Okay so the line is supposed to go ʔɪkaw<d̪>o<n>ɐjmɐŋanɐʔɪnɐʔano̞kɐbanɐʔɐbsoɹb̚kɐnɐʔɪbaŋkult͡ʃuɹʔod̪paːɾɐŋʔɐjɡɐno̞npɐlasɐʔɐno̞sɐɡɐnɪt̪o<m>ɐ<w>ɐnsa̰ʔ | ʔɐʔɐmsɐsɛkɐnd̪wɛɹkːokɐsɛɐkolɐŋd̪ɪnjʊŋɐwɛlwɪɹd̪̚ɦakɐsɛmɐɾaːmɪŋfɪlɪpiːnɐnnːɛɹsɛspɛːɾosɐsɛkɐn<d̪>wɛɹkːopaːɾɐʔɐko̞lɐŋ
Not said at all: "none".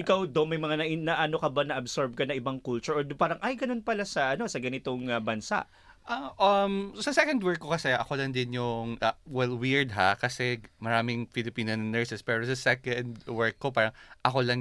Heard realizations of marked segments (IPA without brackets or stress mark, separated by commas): d̪, m, ŋ, b, d̪